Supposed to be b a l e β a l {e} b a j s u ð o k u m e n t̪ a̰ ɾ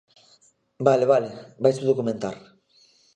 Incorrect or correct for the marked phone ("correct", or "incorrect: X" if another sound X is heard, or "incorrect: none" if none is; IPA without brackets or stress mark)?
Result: correct